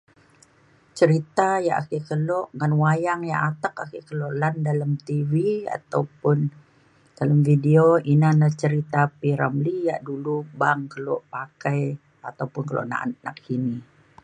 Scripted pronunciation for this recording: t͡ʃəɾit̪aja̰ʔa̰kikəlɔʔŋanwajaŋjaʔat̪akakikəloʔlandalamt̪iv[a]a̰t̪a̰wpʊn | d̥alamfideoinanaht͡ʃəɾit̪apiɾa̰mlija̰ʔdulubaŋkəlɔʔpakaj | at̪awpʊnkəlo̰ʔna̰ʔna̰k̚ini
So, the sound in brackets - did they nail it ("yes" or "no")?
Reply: no